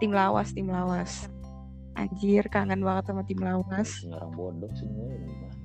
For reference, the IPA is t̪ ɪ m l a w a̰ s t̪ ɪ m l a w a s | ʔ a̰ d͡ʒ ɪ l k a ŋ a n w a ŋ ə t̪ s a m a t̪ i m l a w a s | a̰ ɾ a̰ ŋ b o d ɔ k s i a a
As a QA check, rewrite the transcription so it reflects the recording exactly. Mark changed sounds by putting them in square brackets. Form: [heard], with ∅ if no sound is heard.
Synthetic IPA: t̪ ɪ m l a w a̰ s t̪ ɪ m l a w a s | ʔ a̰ d͡ʒ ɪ [r] k a ŋ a n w a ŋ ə t̪ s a m a t̪ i m l a w a s | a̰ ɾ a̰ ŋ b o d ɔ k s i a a